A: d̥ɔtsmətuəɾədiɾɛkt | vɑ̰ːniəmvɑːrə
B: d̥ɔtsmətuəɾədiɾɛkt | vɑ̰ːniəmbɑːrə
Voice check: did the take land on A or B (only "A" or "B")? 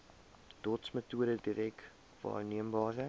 B